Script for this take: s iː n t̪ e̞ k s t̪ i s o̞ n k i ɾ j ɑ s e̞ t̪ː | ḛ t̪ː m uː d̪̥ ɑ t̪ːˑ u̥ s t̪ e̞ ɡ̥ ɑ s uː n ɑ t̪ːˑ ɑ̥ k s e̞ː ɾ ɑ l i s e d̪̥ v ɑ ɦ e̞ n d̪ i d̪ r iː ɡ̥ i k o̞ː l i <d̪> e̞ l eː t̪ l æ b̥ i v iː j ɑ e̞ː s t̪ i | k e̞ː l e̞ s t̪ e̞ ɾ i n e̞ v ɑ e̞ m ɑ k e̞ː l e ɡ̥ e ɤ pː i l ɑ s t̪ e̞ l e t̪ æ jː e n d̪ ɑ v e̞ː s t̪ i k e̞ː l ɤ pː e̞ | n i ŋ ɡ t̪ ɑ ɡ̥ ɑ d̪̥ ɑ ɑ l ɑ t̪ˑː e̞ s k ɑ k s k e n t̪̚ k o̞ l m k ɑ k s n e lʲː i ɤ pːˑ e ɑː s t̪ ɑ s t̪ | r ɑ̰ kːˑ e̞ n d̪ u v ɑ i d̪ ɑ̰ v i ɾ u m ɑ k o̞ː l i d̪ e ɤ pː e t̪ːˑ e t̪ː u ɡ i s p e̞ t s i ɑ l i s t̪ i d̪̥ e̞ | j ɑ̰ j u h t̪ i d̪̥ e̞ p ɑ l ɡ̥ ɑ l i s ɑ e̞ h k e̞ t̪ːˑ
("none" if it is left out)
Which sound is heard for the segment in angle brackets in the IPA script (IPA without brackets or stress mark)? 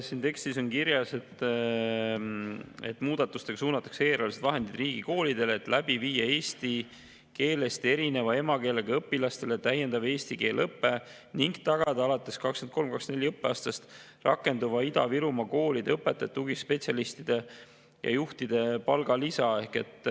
d̪